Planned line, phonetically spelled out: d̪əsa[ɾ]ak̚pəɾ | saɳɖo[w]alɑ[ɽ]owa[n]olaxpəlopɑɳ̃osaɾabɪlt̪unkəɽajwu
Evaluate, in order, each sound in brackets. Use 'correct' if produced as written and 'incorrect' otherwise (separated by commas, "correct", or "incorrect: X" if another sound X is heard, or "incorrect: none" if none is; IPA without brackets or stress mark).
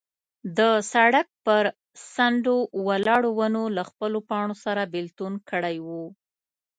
incorrect: ɽ, correct, correct, correct